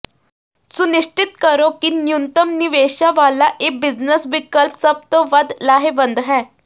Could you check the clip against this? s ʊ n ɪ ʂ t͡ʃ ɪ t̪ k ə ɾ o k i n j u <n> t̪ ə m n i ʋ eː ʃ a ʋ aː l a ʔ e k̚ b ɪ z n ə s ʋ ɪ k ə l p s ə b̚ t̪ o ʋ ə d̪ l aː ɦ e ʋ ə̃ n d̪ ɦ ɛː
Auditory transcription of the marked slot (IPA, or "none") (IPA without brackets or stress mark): n